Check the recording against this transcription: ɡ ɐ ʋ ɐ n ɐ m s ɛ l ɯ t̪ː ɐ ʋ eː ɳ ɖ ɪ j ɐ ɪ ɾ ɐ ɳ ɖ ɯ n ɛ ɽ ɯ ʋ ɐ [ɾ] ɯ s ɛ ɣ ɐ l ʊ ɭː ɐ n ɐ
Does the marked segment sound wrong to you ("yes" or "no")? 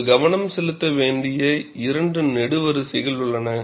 no